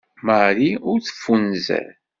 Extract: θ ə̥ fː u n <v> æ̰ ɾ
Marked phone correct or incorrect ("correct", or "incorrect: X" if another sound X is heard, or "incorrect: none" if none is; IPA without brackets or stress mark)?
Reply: incorrect: z